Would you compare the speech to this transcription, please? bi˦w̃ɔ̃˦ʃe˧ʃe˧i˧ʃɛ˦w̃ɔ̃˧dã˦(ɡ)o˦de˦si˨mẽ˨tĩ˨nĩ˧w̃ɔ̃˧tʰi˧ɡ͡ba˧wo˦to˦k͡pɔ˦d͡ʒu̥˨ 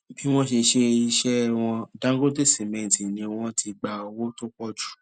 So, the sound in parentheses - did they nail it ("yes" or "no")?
yes